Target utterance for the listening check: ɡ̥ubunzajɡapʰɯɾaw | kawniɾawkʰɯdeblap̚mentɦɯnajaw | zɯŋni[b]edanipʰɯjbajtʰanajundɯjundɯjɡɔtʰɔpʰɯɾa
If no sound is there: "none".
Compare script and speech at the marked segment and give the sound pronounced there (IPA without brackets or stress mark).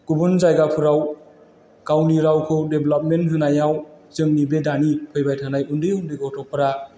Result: b